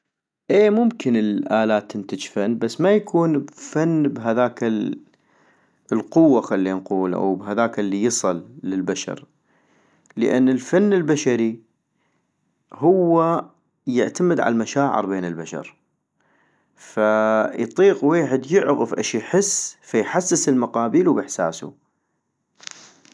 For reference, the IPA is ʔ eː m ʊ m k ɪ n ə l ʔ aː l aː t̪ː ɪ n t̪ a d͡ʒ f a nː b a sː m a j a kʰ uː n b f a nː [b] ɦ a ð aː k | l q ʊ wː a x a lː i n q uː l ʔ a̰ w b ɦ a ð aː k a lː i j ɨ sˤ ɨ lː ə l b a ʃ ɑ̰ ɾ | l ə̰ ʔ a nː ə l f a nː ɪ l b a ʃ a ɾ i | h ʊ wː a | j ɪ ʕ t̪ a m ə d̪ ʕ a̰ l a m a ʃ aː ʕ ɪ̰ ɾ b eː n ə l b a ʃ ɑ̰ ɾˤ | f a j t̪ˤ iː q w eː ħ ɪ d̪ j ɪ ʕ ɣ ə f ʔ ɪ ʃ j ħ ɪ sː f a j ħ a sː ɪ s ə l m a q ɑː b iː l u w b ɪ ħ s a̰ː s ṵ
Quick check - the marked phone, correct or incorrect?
correct